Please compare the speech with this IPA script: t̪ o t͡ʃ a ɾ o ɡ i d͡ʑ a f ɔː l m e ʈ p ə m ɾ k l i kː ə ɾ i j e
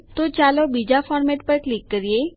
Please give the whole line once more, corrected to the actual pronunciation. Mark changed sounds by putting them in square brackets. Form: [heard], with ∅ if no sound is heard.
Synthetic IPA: t̪ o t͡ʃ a [l] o [b] i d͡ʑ a f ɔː [ɾ] m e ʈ p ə [∅] ɾ k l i kː ə ɾ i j e